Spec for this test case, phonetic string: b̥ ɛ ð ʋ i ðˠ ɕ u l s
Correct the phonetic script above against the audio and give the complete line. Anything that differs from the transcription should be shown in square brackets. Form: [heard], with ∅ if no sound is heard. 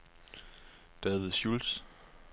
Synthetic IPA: [d̥] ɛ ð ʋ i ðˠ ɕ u l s